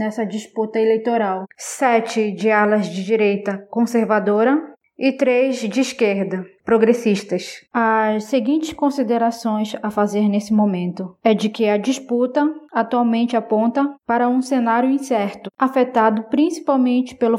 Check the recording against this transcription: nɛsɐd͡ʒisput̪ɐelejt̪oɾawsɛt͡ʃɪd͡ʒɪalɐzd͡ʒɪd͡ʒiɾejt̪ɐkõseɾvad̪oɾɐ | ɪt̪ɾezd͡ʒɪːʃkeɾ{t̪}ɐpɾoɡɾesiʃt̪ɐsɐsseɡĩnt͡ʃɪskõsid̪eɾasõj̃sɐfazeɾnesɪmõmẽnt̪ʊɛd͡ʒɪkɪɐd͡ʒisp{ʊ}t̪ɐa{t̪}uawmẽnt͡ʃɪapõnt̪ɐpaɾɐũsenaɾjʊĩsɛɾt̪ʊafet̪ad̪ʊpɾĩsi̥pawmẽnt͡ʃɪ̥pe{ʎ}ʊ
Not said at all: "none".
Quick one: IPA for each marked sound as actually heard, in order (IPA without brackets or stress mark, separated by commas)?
d̪, u, t̪, l